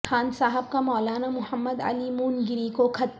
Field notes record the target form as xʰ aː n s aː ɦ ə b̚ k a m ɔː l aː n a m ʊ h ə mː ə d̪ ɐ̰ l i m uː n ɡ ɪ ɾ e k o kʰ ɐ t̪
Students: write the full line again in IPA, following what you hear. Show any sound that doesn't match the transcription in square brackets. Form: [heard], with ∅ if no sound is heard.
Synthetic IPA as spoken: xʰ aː n s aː ɦ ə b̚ k a m ɔː l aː n a m ʊ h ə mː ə d̪ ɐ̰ l i m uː n ɡ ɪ ɾ [i] k o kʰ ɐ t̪